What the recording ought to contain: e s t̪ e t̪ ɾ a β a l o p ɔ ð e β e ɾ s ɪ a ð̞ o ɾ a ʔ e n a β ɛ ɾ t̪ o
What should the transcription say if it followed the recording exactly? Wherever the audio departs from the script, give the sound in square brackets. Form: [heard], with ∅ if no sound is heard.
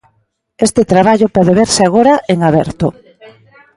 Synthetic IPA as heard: e s t̪ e t̪ ɾ a β a [ʎ] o p ɔ ð e β e ɾ s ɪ a [ɣ̞] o ɾ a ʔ e [ŋ] a β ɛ ɾ t̪ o